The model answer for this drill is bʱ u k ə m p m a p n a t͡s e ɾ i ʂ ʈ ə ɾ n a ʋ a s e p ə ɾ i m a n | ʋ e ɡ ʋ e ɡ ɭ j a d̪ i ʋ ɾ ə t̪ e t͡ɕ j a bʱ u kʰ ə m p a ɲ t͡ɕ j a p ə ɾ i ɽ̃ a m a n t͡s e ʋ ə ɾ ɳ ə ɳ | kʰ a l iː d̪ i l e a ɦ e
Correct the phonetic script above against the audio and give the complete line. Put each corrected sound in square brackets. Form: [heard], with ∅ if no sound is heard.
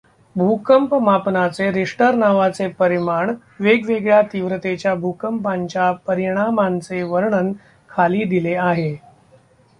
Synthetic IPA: bʱ u k ə m p m a p n a t͡s e ɾ i ʂ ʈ ə ɾ n a ʋ a [t͡s] e p ə ɾ i m a [ɳ] | ʋ e ɡ ʋ e ɡ ɭ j a [t̪] i ʋ ɾ ə t̪ e t͡ɕ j a bʱ u [k] ə m p a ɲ t͡ɕ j a p ə ɾ i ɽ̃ a m a n t͡s e ʋ ə ɾ ɳ ə [n] | kʰ a l iː d̪ i l e a ɦ e

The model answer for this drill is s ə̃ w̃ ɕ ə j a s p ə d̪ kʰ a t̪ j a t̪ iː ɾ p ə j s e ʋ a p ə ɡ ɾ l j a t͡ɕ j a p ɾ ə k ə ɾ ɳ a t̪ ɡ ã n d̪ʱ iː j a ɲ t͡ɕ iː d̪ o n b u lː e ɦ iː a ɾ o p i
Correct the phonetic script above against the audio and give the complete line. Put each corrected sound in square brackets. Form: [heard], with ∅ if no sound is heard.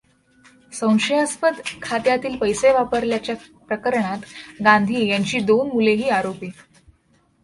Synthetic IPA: s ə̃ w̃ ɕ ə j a s p ə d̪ kʰ a t̪ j a t̪ iː [l] p ə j s e ʋ a p ə [∅] ɾ l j a t͡ɕ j a p ɾ ə k ə ɾ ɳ a t̪ ɡ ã n d̪ʱ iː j a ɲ t͡ɕ iː d̪ o n [m] u [l] e ɦ iː a ɾ o p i

